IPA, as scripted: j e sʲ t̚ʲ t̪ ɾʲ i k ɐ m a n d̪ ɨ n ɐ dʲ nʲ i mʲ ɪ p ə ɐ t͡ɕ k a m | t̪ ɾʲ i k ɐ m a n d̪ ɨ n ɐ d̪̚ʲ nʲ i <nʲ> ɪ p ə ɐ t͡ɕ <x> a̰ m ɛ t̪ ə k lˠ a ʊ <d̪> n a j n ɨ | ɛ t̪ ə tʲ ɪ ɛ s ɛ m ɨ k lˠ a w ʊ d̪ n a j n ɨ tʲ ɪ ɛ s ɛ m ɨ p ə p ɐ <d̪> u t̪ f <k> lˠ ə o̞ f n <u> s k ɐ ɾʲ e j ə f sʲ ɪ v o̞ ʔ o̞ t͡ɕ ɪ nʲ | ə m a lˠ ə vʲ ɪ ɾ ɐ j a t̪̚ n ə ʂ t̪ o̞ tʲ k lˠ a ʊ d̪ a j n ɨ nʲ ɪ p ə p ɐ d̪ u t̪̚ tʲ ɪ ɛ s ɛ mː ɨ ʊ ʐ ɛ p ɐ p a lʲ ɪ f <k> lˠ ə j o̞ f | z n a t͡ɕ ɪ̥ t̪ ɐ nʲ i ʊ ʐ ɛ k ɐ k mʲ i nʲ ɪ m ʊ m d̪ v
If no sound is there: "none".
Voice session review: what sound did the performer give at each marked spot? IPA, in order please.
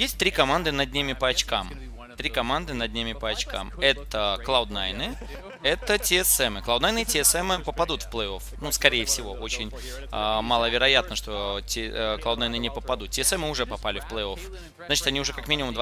mʲ, k, d̪, d̪, p, u, p

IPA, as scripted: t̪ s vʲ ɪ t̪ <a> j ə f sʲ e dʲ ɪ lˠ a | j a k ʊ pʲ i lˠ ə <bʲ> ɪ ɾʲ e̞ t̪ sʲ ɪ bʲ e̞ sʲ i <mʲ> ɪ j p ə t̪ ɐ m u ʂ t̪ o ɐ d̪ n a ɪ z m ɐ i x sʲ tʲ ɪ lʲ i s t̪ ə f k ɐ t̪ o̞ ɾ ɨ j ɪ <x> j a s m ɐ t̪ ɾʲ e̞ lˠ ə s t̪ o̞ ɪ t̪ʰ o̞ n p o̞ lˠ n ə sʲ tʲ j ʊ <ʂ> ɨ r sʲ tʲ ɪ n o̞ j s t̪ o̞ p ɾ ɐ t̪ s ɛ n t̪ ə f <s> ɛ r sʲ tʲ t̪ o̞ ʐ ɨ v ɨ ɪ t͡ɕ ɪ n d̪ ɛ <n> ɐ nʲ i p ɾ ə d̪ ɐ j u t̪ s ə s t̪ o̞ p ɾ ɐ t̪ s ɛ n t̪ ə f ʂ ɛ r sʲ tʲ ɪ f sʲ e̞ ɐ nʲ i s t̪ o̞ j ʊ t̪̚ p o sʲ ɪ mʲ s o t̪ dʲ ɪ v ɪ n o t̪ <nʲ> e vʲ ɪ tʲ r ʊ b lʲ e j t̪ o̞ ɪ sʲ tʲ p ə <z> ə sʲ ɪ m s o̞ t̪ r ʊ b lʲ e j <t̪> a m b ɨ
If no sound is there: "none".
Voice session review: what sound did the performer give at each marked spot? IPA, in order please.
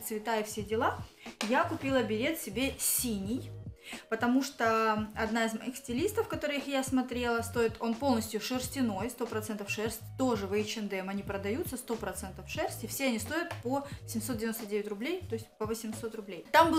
a, bʲ, nʲ, x, ʂ, ʂ, m, dʲ, v, t̪

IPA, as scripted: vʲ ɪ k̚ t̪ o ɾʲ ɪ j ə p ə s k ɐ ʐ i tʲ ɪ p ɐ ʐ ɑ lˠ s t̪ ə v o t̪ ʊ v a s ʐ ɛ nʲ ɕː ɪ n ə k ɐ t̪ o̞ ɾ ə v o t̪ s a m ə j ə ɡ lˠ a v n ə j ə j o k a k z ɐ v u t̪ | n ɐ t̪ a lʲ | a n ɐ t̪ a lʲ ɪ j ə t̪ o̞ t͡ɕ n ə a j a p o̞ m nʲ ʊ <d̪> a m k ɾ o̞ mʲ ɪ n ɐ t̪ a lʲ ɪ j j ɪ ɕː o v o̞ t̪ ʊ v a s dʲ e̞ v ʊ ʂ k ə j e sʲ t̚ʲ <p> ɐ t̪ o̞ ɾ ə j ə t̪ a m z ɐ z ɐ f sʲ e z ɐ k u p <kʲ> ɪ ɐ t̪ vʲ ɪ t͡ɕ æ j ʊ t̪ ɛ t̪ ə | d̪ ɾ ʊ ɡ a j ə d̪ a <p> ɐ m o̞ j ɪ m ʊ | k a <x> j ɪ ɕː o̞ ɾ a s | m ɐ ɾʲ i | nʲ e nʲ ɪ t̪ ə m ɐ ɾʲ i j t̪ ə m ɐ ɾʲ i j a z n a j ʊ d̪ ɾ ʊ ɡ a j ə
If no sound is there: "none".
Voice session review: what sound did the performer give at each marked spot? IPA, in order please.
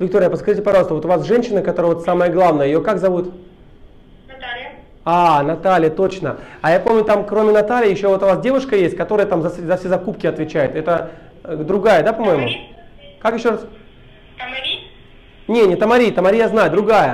t̪, k, kʲ, p, k

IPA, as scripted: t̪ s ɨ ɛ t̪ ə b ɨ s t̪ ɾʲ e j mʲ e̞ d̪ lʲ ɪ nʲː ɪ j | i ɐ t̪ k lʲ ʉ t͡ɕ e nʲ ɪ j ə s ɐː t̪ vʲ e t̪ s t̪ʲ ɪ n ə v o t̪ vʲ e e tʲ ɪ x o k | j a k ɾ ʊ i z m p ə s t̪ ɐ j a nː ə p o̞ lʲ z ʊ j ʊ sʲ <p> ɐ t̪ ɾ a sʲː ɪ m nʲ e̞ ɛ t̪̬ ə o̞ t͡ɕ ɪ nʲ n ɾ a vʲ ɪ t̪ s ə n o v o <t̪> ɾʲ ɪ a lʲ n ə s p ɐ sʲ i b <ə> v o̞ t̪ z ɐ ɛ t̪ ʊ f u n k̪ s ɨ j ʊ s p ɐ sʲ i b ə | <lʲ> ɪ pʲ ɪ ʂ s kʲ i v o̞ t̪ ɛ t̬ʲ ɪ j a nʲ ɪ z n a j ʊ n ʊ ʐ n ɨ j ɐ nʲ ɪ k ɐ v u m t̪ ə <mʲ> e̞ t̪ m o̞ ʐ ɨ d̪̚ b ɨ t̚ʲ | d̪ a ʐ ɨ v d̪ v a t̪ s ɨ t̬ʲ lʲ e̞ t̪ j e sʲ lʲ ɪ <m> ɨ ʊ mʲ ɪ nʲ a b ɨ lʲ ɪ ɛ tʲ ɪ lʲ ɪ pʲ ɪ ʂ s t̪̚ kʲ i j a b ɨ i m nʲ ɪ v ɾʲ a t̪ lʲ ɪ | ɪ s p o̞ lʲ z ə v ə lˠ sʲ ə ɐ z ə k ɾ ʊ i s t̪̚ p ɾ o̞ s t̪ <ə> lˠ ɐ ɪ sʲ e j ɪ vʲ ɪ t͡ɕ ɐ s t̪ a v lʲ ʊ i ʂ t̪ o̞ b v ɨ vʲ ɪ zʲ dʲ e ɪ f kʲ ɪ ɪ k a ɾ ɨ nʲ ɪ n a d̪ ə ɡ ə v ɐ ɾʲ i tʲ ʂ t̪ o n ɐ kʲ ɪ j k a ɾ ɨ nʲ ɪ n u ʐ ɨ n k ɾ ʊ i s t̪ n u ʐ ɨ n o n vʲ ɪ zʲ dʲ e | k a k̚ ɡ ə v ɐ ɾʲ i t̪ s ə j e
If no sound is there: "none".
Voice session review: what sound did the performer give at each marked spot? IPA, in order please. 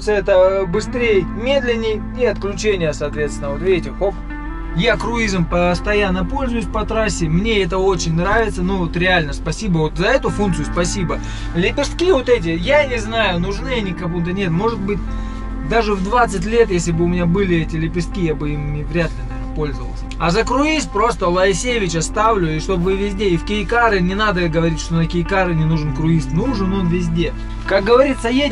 p, t̪, ə, lʲ, nʲ, b, ə

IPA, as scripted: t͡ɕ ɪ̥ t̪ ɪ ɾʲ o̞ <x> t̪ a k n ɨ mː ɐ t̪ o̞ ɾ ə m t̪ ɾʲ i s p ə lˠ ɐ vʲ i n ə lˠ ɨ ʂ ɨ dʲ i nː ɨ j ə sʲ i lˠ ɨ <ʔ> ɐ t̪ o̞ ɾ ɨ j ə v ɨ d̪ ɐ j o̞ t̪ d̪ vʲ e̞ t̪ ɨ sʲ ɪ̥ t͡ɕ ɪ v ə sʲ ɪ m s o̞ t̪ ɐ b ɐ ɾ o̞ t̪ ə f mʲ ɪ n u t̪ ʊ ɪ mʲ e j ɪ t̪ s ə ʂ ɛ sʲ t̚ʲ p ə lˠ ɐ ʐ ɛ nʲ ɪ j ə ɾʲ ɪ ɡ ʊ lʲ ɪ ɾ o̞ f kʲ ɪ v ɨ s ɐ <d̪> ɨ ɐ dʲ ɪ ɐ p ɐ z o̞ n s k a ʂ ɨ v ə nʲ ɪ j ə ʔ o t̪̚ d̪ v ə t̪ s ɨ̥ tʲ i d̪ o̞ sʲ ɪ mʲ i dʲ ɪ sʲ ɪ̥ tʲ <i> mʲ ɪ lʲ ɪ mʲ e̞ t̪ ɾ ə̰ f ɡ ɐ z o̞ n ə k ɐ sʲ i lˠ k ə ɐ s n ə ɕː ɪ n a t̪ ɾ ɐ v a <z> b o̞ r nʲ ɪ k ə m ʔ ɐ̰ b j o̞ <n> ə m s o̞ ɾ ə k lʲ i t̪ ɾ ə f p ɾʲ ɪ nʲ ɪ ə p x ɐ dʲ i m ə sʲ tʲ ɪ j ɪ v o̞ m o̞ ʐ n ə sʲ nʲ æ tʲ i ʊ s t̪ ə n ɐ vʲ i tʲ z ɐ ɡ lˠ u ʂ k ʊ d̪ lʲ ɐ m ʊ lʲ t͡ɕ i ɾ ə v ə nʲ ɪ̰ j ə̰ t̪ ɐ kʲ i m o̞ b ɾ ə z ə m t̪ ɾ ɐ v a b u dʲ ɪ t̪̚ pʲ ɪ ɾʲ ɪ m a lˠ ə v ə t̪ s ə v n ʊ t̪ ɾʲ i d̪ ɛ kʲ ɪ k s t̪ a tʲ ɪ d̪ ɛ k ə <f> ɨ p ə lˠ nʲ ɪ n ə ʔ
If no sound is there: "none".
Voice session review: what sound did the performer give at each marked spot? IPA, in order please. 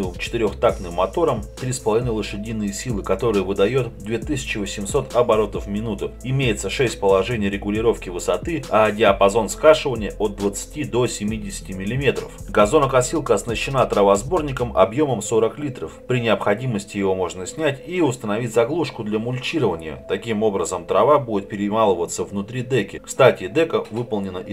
x, k, t̪, ɪ, z, m, v

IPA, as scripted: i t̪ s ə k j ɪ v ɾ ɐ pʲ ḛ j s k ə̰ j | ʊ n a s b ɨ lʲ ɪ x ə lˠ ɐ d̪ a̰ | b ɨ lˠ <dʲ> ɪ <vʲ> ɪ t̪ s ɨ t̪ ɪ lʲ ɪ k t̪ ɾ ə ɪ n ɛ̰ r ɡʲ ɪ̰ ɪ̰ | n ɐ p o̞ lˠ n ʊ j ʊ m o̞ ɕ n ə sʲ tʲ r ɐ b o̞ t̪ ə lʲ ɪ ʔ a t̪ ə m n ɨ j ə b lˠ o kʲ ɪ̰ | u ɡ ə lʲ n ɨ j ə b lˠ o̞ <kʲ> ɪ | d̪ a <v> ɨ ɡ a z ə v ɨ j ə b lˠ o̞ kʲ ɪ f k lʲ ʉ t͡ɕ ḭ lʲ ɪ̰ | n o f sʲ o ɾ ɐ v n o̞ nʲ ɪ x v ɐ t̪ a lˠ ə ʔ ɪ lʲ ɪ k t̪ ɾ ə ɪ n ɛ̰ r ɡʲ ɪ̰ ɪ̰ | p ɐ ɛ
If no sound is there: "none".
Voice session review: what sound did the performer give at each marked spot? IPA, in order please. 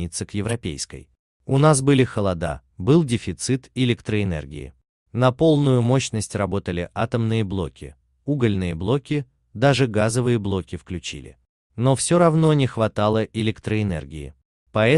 dʲ, fʲ, kʲ, ʐ

